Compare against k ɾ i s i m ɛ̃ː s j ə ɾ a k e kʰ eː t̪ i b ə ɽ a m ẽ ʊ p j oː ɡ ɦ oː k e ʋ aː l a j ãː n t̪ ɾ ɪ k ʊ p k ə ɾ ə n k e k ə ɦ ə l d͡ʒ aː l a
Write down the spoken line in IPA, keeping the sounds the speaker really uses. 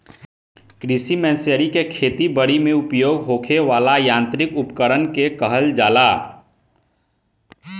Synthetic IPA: k ɾ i s i m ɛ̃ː s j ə ɾ i k e kʰ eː t̪ i b ə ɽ i m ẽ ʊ p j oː ɡ ɦ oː kʰ e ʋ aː l a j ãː n t̪ ɾ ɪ k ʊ p k ə ɾ ə n k e k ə ɦ ə l d͡ʒ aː l a